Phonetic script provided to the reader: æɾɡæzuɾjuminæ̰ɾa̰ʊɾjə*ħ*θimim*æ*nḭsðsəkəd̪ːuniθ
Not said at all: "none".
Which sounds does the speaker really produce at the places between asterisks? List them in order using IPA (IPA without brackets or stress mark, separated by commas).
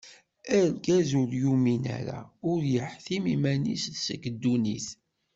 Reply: ħ, æ